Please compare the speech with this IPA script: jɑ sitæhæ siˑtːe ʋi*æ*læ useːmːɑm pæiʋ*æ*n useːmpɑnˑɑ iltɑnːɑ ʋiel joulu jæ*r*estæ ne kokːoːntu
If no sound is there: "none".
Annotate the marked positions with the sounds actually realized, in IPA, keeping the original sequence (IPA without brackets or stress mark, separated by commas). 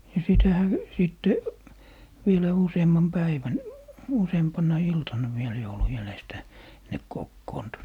e, æ, l